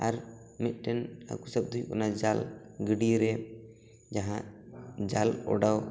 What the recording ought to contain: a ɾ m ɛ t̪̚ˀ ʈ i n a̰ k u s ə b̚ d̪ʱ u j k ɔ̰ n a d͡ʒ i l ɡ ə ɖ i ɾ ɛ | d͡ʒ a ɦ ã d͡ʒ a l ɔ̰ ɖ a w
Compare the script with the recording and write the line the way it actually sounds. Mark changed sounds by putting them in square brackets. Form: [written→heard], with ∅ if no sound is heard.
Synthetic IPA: a ɾ m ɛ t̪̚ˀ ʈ [i→ɛ] n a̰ k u s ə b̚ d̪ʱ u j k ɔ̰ n a d͡ʒ [i→a] l ɡ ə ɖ i ɾ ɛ | d͡ʒ a ɦ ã d͡ʒ a l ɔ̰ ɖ a w